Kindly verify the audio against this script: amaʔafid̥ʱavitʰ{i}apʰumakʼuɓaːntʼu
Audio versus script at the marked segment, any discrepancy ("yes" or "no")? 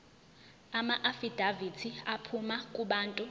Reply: no